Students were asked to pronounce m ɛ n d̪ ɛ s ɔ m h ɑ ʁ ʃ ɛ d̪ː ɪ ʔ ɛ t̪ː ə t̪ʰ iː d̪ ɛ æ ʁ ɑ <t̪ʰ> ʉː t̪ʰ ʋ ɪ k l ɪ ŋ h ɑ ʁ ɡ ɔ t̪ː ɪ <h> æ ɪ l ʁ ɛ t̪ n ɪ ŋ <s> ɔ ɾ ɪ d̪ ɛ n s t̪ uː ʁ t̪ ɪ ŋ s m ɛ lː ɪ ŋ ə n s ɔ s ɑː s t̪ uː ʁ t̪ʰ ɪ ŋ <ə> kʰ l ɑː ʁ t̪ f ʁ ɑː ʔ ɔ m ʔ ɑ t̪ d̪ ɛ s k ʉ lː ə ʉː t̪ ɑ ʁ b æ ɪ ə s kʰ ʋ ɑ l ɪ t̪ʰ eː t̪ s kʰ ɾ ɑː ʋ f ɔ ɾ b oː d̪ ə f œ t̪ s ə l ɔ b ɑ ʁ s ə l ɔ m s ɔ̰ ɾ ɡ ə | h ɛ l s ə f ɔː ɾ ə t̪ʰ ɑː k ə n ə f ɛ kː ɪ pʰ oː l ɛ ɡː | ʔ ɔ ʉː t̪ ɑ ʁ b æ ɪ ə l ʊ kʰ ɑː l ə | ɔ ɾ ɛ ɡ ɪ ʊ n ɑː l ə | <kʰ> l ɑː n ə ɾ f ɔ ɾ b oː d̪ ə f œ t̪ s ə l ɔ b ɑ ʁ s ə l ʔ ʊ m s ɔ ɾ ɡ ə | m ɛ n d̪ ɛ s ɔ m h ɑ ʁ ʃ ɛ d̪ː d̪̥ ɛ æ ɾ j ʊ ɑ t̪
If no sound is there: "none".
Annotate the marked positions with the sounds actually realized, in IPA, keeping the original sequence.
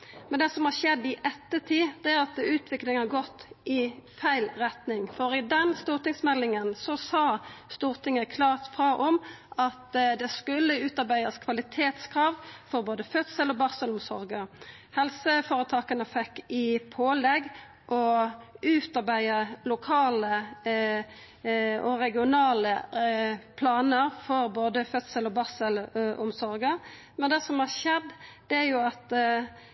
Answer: t̪, f, f, ə, pʰ

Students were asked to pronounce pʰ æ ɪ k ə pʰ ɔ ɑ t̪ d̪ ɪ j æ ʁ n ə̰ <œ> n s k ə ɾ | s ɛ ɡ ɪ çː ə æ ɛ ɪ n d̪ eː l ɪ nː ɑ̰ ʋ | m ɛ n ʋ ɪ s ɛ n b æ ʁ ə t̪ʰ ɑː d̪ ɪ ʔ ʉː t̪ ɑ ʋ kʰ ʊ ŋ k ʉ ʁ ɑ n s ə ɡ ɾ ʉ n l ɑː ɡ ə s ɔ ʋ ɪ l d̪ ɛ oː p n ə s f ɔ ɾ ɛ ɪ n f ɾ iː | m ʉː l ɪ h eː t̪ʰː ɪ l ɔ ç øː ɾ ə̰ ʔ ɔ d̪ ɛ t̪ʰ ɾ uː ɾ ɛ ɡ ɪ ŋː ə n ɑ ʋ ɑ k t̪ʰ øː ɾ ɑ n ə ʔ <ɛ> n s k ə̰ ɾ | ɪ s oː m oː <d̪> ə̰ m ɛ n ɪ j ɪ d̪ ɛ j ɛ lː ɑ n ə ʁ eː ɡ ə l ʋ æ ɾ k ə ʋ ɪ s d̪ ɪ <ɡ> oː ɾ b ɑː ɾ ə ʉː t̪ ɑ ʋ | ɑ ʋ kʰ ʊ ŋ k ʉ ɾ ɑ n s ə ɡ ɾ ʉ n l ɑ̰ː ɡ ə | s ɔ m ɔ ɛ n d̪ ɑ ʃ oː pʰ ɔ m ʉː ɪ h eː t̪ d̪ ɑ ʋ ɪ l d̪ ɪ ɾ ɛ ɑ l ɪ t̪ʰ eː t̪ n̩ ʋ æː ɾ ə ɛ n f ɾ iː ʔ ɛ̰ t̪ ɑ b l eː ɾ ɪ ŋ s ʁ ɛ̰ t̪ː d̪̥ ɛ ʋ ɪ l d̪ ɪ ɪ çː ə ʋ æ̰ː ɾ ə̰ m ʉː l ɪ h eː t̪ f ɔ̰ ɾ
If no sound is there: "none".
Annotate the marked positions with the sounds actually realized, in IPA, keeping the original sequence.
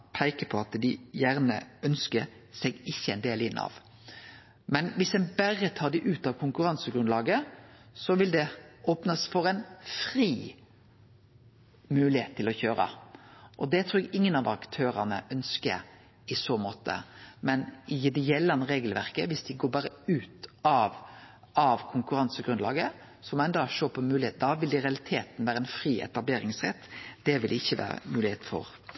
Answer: œ, œ, t̪, ɡ

